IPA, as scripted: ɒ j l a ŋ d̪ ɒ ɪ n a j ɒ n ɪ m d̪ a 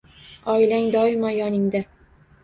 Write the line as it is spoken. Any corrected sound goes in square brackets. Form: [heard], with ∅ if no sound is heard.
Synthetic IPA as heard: ɒ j l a ŋ d̪ ɒ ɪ [m] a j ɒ n ɪ [ŋ] d̪ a